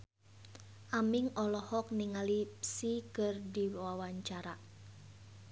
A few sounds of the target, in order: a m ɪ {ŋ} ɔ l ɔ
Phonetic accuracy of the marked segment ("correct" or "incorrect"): correct